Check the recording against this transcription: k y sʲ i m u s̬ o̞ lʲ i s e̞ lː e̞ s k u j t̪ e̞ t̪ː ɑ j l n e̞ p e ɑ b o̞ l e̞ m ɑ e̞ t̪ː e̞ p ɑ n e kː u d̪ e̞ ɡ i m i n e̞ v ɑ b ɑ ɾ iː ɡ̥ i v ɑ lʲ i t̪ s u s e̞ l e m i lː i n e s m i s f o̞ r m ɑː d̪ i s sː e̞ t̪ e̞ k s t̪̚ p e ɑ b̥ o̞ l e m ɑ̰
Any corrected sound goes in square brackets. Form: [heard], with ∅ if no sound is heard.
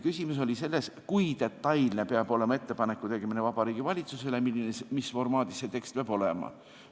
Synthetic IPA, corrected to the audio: k y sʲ i m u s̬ o̞ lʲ i s e̞ lː e̞ s k u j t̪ e̞ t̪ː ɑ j l n e̞ p e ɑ b o̞ l e̞ m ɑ e̞ t̪ː e̞ p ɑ n e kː u [t̪] e̞ ɡ [e] m i n e̞ v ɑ b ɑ ɾ iː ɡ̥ i v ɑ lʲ i t̪ s u s e̞ l e m i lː i n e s m i s f o̞ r m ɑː d̪ i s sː e̞ t̪ e̞ k s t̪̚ p e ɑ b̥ o̞ l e m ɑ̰